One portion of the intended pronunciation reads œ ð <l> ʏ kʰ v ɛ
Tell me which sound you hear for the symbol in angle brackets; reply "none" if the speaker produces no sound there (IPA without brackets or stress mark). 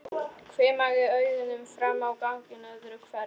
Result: ɾ